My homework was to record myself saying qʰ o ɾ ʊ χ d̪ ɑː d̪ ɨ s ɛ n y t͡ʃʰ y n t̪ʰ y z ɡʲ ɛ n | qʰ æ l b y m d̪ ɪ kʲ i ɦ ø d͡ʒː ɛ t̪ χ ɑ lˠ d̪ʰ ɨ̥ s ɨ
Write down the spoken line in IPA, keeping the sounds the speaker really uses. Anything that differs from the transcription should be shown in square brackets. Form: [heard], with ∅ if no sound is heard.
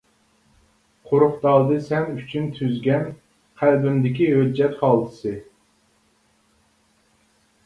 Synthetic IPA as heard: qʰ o ɾ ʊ χ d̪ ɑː d̪ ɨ s ɛ n y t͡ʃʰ y n t̪ʰ y z ɡʲ ɛ n | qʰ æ l b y m d̪ ɪ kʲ i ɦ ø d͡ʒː ɛ t̪ χ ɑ lˠ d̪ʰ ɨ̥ s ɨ